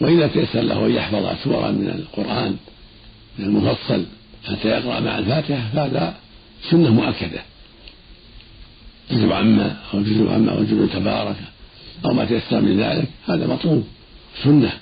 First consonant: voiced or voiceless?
voiced